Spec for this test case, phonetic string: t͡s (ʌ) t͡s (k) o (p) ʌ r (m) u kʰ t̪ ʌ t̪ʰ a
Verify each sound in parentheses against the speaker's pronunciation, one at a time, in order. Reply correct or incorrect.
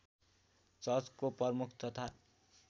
correct, correct, correct, correct

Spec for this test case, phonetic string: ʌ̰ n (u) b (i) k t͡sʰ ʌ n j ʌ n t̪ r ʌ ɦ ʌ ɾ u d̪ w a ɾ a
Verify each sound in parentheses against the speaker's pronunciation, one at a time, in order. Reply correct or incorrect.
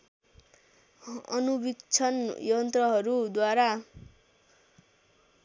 correct, correct

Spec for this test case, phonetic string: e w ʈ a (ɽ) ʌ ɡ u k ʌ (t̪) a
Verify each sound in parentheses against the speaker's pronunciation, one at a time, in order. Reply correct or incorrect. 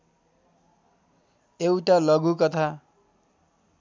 incorrect: l, incorrect: t̪ʰ

